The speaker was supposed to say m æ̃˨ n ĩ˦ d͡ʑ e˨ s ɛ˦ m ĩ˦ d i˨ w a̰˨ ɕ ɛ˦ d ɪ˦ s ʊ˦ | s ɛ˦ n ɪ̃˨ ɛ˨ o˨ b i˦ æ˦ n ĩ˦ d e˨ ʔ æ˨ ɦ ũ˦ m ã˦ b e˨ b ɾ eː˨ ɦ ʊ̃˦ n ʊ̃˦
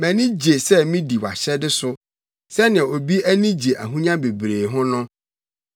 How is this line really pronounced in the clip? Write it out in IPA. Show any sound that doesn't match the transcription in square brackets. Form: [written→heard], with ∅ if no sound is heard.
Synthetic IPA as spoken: m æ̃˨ n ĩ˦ d͡ʑ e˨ s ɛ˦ m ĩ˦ d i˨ w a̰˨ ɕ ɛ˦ d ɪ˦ s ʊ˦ | s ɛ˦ n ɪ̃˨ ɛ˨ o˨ b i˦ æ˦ n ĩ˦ [d→d͡ʑ] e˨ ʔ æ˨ ɦ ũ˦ [m→ɲ] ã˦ b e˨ b ɾ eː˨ ɦ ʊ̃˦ n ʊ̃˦